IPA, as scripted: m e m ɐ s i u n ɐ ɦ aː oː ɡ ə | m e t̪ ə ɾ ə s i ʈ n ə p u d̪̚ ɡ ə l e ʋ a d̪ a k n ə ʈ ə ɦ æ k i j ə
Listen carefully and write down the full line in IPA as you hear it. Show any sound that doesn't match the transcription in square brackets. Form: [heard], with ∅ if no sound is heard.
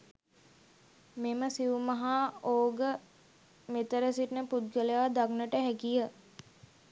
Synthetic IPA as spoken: m e m [ə] s i u [m] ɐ ɦ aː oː ɡ ə | m e t̪ ə ɾ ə s i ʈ n ə p u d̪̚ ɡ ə l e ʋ a d̪ a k n ə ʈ ə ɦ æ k i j ə